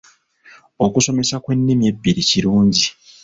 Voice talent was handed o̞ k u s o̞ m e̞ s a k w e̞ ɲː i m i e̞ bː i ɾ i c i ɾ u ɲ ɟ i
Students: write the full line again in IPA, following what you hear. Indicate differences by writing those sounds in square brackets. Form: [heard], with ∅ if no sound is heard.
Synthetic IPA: o̞ k u s o̞ m e̞ s a k w e̞ [nː] i m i e̞ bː i ɾ i c i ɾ [uː] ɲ ɟ i